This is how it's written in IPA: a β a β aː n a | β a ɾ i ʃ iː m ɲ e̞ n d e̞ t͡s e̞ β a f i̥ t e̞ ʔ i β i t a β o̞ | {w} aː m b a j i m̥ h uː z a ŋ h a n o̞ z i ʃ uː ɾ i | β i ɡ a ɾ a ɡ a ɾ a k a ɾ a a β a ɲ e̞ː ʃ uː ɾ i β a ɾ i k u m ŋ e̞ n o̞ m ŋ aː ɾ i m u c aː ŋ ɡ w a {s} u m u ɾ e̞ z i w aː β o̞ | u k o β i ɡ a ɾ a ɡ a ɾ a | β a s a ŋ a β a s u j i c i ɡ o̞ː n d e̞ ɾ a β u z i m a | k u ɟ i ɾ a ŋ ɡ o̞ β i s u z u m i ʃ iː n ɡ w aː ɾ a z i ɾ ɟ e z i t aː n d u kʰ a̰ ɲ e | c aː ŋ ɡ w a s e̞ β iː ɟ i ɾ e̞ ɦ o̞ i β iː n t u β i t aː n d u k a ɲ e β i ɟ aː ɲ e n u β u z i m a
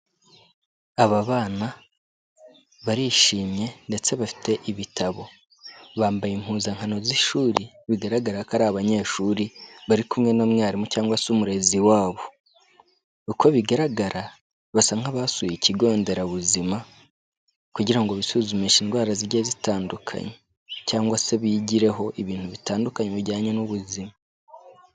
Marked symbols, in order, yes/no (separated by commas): no, yes